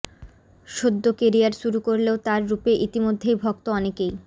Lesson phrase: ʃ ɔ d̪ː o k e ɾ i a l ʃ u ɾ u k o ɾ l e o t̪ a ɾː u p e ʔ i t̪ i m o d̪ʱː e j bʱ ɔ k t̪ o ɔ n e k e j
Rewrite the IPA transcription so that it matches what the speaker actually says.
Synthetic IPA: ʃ o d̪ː o k e ɾ i a ɾ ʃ u ɾ u k o ɾ l e o t̪ a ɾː u p e ʔ i t̪ i m o d̪ʱː e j bʱ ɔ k t̪ o ɔ n e k e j